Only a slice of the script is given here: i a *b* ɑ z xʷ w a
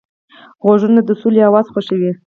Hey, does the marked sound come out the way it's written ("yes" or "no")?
no